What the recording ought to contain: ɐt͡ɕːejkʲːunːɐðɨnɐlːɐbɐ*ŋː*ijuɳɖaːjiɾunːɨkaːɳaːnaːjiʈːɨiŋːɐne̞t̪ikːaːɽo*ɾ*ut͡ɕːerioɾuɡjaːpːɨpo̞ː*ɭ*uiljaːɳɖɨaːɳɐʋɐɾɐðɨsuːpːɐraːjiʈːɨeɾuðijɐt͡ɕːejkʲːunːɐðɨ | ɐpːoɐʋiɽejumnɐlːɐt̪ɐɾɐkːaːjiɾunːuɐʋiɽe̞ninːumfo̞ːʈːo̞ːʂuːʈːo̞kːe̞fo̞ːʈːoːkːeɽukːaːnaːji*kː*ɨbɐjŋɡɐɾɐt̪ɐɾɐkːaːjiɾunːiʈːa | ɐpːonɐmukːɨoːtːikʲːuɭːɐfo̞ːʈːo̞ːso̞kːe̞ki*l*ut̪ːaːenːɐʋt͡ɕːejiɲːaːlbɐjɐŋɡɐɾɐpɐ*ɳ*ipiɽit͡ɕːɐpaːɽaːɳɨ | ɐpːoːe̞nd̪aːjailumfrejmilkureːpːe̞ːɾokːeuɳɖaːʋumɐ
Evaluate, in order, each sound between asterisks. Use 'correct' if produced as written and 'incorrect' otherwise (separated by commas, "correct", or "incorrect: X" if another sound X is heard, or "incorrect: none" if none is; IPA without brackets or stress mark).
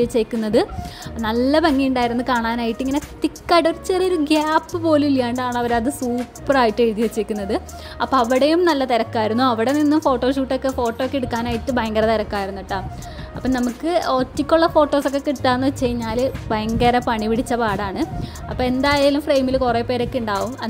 correct, correct, incorrect: l, incorrect: ʈː, incorrect: ɽ, correct